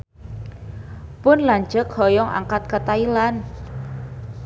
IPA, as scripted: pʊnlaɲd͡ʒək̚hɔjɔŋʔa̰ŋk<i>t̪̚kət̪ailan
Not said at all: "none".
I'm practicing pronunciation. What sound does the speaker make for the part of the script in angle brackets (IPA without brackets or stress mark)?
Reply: a